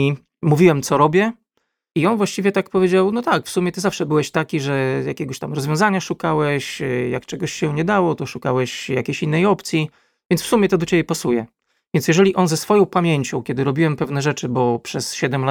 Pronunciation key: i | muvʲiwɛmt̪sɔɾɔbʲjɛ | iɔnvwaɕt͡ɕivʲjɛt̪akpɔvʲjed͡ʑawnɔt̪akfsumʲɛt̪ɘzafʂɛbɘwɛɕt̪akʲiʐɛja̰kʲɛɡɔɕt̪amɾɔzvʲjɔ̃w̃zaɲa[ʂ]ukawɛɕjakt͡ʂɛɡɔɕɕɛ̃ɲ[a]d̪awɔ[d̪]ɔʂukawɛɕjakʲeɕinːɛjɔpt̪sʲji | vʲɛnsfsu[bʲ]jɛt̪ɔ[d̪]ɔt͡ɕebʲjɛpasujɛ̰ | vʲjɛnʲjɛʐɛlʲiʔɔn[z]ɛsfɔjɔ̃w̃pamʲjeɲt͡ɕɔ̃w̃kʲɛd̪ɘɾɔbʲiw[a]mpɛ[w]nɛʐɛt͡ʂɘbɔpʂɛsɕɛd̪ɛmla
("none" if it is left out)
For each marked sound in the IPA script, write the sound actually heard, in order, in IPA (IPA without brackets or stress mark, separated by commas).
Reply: ʂ, ɛ, t̪, mʲ, d̪, z, ɛ, v